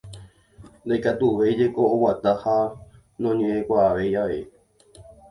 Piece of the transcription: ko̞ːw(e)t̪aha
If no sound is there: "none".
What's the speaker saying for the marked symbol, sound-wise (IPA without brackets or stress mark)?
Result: a